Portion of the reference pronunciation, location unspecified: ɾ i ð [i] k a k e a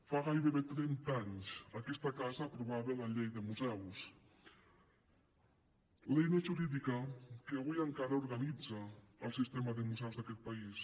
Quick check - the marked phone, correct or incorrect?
correct